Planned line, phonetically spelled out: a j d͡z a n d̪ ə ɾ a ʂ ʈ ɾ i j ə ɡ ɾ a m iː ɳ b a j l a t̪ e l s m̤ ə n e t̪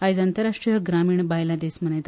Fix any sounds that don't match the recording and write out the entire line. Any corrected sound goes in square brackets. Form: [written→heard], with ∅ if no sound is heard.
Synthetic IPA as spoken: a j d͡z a n [d̪→t̪] ə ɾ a ʂ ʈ ɾ i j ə ɡ ɾ a m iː ɳ b a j l a [t̪→d̪] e [l→∅] s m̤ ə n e t̪